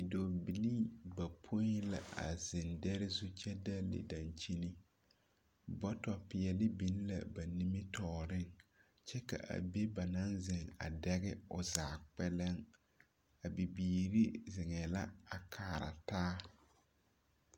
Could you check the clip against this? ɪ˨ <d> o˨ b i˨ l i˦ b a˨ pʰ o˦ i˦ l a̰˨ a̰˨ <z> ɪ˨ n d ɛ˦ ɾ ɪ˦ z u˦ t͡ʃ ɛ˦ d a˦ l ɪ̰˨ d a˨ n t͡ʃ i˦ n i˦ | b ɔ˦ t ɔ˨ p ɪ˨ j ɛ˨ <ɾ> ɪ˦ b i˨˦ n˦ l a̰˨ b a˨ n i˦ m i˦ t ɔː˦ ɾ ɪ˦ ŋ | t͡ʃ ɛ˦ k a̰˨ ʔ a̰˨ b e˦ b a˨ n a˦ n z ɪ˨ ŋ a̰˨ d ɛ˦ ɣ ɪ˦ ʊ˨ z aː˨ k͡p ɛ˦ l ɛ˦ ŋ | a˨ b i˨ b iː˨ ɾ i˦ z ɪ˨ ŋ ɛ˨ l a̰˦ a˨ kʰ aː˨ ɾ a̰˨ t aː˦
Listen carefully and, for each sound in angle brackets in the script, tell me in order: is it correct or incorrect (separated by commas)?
correct, correct, incorrect